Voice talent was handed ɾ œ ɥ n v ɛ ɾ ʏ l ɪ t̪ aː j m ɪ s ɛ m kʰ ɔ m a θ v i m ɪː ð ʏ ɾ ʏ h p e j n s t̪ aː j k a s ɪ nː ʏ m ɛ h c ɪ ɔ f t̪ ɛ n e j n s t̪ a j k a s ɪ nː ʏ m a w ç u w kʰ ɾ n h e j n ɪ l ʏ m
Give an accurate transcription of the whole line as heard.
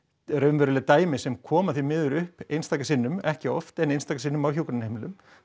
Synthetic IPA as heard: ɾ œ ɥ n v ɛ ɾ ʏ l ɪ t̪ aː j m ɪ s ɛ m kʰ ɔː m a θ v i m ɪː ð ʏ ɾ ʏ h p e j n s t̪ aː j k a s ɪ nː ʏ m ɛ h c ɪ ɔ f t̪ ɛ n e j n s t̪ a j k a s ɪ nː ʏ m a w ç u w k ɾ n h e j m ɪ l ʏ m